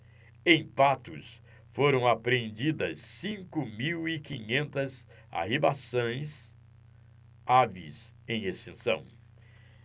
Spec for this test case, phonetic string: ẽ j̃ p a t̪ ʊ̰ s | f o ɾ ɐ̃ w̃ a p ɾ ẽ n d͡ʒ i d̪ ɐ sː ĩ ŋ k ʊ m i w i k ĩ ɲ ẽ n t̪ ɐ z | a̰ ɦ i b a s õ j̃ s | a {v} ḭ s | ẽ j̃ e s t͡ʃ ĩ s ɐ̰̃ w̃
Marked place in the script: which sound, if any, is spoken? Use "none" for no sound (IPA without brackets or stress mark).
v